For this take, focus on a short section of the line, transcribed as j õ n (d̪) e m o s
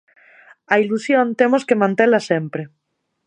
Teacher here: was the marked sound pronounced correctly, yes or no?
no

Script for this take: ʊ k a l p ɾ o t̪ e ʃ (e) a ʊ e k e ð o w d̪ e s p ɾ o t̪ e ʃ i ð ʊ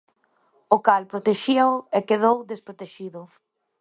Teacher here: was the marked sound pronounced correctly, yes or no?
no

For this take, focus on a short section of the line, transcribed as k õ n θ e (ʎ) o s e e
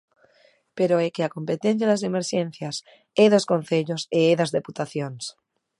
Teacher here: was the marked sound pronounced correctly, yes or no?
yes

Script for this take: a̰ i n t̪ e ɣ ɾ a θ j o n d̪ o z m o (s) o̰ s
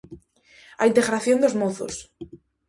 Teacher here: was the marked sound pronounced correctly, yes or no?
no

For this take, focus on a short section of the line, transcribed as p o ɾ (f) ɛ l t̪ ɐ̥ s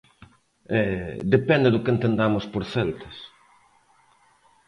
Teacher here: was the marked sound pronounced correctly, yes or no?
no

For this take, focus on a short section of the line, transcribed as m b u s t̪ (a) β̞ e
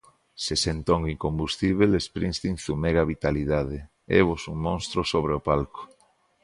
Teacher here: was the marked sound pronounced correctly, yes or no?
no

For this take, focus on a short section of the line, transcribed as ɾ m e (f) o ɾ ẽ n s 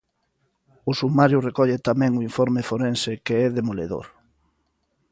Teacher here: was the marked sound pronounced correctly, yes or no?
yes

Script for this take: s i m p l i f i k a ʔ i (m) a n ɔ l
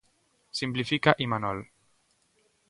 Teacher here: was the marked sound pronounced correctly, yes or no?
yes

